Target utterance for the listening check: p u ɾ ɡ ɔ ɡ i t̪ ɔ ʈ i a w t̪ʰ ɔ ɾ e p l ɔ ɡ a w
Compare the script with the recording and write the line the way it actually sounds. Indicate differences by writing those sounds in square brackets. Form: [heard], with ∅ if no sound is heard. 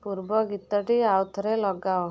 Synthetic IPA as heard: p u ɾ [b] ɔ ɡ i t̪ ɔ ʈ i a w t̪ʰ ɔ ɾ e [∅] l ɔ ɡ a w